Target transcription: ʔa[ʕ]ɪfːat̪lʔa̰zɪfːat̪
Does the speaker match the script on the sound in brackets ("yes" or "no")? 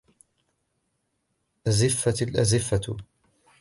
no